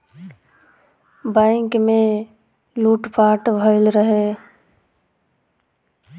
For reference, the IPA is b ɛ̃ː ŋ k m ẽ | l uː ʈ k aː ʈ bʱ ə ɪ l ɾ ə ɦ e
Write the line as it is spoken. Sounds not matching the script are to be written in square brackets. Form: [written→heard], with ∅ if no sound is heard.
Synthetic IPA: b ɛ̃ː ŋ k m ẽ | l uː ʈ [k→p] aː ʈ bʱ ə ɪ l ɾ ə ɦ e